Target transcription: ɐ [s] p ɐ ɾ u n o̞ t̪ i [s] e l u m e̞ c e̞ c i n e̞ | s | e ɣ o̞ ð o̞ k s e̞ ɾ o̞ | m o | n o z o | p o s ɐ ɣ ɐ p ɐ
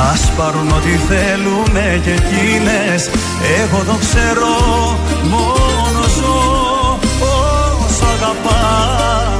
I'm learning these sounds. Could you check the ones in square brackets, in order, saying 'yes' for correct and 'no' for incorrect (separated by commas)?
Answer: yes, no